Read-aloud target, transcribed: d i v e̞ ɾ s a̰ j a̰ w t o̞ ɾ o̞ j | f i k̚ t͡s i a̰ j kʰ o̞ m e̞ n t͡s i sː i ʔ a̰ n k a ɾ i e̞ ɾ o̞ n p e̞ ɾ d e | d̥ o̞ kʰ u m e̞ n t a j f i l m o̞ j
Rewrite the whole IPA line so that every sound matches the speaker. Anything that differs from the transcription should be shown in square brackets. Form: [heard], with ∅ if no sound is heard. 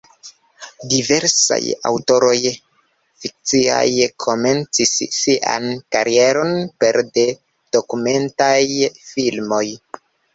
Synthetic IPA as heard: d i v e̞ ɾ s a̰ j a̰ w t o̞ ɾ o̞ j | f i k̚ t͡s i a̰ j kʰ o̞ m e̞ n t͡s i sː i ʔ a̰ n k a ɾ i e̞ ɾ o̞ n p e̞ ɾ d e | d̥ o̞ [k] u m e̞ n t a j f i l m o̞ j